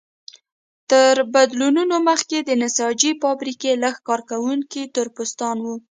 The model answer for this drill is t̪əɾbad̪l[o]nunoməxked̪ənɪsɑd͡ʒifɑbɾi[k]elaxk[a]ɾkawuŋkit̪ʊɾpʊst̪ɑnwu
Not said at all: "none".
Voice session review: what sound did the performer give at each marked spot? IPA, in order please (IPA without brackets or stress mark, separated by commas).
u, k, ɑ